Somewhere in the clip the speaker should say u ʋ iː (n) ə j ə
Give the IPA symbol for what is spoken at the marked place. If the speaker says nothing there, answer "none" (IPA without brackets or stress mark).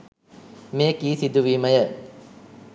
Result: m